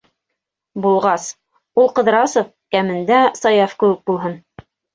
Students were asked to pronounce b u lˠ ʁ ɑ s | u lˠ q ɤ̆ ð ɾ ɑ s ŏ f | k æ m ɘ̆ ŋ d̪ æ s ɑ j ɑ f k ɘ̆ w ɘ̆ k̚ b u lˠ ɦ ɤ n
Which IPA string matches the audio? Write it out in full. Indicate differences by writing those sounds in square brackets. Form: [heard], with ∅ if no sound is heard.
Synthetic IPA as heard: b u lˠ ʁ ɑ s | u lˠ q ɤ̆ ð ɾ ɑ s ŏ f | k æ m ɘ̆ [n] d̪ æ s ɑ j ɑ f k ɘ̆ w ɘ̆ k̚ b u lˠ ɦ ɤ n